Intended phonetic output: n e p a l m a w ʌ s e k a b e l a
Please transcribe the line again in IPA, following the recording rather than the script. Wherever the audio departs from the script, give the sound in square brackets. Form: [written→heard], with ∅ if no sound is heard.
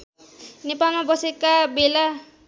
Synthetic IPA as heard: n e p a l m a [w→b] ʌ s e k a b e l a